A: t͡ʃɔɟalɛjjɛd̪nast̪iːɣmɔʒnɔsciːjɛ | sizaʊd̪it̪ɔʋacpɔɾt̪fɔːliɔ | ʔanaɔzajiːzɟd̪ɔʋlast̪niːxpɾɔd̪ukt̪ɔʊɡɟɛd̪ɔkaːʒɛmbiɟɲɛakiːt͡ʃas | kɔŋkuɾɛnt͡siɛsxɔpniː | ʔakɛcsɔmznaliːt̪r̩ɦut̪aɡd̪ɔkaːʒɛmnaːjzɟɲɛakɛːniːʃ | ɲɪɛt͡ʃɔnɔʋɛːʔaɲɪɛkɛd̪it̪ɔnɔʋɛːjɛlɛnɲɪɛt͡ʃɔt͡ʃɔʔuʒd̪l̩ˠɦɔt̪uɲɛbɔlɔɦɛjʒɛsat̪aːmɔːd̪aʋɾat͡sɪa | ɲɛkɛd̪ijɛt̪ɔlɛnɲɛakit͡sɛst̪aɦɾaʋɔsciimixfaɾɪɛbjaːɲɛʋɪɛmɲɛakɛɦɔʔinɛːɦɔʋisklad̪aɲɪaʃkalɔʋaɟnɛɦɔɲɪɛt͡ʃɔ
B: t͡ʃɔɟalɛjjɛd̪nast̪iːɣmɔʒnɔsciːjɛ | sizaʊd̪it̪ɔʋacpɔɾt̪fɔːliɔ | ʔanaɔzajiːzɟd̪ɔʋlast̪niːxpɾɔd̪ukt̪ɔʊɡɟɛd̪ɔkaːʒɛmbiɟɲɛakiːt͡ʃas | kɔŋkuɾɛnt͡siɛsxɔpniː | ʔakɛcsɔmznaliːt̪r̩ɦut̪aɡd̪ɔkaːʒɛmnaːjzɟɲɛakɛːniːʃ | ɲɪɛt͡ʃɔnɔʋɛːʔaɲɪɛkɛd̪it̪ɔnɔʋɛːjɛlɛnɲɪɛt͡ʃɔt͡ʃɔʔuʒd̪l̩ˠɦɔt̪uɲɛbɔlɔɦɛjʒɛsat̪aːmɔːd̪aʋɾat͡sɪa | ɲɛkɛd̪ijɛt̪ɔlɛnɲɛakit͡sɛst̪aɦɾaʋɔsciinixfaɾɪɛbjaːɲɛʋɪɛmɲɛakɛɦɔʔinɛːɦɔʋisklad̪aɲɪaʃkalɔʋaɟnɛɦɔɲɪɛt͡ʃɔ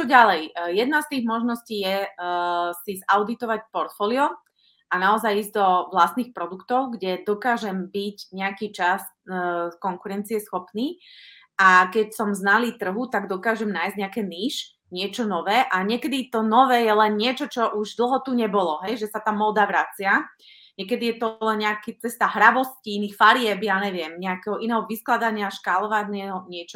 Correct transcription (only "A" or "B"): B